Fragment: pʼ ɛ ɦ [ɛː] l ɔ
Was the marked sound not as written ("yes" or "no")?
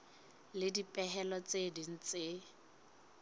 yes